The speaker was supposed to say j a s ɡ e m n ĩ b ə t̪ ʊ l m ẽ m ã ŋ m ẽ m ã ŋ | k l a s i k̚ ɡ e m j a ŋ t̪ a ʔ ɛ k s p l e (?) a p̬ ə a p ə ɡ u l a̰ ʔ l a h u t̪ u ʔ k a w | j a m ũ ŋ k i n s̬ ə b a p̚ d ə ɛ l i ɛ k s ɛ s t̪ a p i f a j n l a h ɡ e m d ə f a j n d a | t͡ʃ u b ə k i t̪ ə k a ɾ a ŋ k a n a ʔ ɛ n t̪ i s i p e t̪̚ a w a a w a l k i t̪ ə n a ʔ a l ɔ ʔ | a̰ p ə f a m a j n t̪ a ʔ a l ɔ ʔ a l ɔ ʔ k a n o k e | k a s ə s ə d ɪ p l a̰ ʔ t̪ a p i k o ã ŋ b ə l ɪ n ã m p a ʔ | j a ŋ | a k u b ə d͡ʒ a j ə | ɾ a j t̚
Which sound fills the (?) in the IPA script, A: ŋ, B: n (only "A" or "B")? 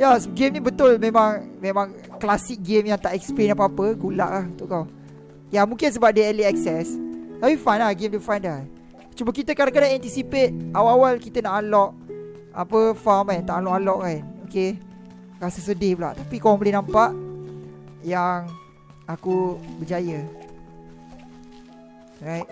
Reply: B